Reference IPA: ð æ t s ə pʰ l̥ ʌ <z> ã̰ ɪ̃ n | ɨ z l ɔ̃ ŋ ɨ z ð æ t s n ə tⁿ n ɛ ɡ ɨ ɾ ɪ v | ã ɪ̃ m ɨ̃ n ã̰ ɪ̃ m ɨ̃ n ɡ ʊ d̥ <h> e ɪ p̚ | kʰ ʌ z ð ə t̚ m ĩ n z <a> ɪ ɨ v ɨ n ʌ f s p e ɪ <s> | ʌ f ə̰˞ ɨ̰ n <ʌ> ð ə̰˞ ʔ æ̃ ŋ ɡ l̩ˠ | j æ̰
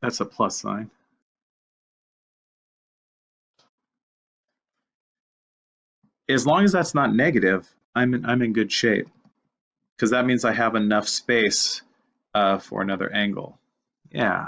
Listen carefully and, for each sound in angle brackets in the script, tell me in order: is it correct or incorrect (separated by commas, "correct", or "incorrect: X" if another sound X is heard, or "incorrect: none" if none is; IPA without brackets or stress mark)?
incorrect: s, incorrect: ʃ, correct, correct, correct